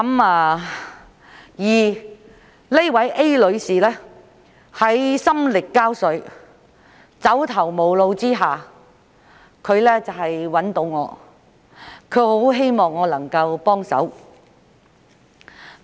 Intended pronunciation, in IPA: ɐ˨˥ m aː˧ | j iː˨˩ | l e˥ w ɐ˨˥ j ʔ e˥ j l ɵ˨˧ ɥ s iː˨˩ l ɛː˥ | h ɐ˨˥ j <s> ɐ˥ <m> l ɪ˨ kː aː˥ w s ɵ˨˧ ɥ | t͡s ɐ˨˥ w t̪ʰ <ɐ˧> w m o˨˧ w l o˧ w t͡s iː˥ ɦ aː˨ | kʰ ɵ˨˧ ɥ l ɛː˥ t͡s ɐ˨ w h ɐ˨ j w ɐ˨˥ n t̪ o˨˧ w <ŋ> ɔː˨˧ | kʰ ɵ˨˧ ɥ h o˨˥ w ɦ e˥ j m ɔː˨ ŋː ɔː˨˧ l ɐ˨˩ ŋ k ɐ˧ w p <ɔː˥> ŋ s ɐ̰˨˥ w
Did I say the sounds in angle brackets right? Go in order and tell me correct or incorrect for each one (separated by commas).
correct, correct, incorrect, correct, correct